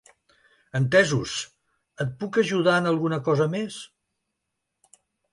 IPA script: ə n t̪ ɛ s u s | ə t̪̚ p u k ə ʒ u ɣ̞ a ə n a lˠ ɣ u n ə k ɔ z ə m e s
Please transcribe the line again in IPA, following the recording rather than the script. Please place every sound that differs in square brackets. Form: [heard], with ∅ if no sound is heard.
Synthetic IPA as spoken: ə n t̪ ɛ [z] u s | ə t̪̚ p u k ə ʒ u [ð̞] a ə n [ə] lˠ ɣ u n ə k ɔ z ə m e s